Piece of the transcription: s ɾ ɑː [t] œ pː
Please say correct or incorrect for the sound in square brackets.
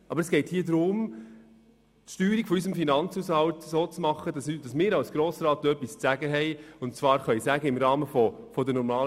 correct